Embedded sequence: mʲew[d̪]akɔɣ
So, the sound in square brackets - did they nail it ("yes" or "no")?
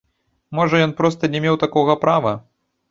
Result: no